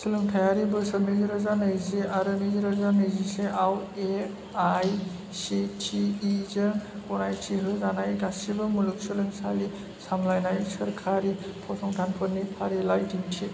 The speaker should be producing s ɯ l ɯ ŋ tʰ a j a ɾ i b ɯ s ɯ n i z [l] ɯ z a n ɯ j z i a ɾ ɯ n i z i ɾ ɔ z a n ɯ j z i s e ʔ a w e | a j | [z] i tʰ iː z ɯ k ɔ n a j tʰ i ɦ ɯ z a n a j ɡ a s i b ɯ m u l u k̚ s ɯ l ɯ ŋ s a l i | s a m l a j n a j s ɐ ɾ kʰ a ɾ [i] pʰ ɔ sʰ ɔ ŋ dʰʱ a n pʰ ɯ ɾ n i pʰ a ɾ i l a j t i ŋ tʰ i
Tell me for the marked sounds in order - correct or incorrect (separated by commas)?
incorrect, incorrect, correct